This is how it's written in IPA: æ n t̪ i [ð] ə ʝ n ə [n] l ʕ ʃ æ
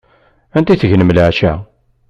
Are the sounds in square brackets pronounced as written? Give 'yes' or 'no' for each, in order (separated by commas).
no, no